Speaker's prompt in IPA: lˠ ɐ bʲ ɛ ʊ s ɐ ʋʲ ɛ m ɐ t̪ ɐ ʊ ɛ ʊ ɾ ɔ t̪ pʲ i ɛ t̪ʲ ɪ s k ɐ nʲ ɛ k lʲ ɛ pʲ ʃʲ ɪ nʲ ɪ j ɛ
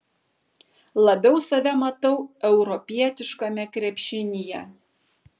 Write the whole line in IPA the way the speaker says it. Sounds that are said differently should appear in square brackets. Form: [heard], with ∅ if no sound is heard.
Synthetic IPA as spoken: lˠ ɐ bʲ ɛ ʊ s ɐ ʋʲ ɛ m ɐ t̪ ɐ ʊ ɛ ʊ ɾ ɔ [∅] pʲ i ɛ t̪ʲ ɪ [ʃ] k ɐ [mʲ] ɛ k [ɾʲ] ɛ pʲ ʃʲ ɪ nʲ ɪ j ɛ